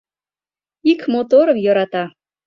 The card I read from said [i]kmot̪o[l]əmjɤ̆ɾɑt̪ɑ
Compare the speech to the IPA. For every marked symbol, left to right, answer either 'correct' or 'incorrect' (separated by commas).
correct, incorrect